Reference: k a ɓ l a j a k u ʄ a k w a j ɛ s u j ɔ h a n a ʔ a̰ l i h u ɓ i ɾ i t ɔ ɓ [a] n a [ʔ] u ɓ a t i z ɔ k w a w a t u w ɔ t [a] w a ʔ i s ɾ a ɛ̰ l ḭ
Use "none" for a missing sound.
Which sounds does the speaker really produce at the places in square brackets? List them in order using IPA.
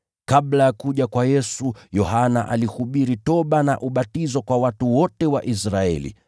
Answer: a, ʔ, ɛ

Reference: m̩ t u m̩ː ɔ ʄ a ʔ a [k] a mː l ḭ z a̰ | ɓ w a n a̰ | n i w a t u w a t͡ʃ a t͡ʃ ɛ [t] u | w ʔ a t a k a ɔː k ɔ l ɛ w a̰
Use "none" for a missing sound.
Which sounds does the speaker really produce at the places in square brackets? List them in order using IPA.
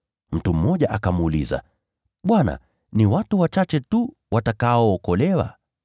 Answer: k, t

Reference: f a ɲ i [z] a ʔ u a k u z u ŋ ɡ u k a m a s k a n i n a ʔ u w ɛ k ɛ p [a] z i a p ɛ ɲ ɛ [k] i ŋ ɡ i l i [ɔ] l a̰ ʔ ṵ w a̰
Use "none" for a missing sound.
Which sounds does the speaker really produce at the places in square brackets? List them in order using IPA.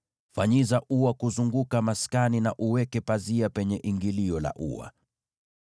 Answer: z, a, ʔ, ɔ

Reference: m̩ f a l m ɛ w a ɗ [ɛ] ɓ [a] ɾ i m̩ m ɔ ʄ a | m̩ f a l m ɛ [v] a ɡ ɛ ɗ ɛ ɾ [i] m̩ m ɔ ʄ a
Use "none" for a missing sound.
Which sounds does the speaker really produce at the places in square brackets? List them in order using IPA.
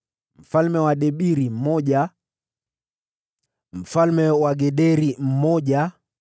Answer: ɛ, i, w, i

